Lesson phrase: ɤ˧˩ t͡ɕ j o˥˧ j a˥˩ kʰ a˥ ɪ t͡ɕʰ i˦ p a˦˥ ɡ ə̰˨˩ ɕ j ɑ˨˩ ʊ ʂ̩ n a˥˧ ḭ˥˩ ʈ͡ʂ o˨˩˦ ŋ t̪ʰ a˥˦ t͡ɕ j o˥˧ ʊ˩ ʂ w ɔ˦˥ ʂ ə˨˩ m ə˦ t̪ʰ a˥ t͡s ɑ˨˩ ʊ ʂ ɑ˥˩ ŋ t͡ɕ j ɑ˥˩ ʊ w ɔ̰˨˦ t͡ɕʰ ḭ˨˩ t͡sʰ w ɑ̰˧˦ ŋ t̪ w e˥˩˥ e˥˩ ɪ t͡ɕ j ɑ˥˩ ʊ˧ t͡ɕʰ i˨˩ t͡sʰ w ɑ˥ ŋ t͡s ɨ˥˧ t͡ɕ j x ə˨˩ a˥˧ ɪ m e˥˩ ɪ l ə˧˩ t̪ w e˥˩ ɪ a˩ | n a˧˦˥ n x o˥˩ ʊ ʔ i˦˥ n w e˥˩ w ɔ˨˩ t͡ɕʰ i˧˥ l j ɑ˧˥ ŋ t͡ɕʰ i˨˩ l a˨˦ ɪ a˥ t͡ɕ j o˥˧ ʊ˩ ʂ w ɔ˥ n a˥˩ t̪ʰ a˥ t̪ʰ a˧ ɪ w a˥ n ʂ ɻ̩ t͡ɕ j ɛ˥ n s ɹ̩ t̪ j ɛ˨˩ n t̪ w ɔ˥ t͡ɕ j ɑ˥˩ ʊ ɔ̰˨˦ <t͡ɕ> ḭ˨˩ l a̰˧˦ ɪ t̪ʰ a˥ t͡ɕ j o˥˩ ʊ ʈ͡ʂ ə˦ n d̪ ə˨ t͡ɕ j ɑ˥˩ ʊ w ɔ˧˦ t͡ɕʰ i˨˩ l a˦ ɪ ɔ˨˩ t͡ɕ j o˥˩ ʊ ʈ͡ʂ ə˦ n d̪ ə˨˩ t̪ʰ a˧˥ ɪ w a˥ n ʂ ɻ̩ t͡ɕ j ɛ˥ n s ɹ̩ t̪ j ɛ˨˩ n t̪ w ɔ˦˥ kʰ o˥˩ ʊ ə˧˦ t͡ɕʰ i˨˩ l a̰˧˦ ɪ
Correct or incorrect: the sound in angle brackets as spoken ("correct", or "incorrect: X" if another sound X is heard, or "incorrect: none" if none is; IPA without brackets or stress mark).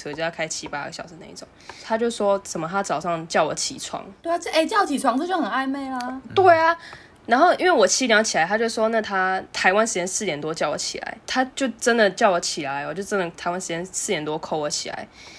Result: incorrect: t͡ɕʰ